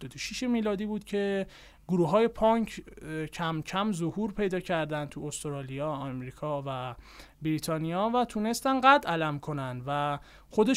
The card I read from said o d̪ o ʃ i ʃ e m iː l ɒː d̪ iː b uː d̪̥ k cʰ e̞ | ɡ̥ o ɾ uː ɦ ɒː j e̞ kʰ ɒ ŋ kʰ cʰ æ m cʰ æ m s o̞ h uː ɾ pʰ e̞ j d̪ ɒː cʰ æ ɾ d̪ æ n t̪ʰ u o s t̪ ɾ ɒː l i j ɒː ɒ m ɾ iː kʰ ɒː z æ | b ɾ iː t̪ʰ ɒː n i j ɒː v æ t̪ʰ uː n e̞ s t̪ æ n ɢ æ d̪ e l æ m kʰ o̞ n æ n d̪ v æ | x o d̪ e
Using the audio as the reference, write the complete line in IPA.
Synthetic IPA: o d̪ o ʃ i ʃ e m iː l ɒː d̪ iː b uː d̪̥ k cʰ e̞ | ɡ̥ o ɾ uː ɦ ɒː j e̞ pʰ ɒ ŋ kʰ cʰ æ m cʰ æ m z o̞ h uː ɾ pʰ e̞ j d̪ ɒː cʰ æ ɾ d̪ æ n t̪ʰ u o s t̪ ɾ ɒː l i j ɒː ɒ m ɾ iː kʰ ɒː v æ | b ɾ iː t̪ʰ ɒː n i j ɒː v æ t̪ʰ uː n e̞ s t̪ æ n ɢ æ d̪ æ l æ m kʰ o̞ n æ n d̪ v æ | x o d̪ e